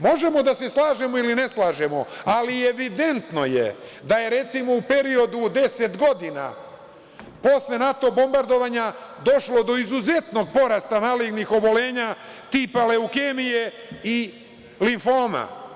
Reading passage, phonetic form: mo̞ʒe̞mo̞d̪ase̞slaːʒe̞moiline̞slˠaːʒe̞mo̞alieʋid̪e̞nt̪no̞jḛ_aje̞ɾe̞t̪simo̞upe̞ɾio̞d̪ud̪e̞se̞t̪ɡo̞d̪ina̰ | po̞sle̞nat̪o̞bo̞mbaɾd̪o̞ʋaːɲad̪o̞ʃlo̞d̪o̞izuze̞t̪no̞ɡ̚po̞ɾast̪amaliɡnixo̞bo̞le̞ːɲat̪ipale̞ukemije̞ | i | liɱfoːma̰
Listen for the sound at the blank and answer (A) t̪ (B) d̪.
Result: B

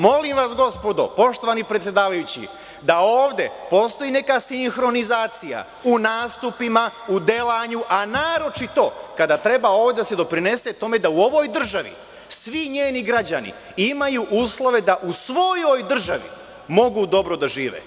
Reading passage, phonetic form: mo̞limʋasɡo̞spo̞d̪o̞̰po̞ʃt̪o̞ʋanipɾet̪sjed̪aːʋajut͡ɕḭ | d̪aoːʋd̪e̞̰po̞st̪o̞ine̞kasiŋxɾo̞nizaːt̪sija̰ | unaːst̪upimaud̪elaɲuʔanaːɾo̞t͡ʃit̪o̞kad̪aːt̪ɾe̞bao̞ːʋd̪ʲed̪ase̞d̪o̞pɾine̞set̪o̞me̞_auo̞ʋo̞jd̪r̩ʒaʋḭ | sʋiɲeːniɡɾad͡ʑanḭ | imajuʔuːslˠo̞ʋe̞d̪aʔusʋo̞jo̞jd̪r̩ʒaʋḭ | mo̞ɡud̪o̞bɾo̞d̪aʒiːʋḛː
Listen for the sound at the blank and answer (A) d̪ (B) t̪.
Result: A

